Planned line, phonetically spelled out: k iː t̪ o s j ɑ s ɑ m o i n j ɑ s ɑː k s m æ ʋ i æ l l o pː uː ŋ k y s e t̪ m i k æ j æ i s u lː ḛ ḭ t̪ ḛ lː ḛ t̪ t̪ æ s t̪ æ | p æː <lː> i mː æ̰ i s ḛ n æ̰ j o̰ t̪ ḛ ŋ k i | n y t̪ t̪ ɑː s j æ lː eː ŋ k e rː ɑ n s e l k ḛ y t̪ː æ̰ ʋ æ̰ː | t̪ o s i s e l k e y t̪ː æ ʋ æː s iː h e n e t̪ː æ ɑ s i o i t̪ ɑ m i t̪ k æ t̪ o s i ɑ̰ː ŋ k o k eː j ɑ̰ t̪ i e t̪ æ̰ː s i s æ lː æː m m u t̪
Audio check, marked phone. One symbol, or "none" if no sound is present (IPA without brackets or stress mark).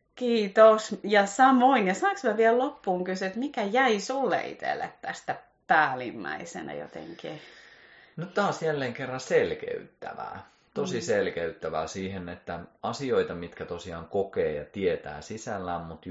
l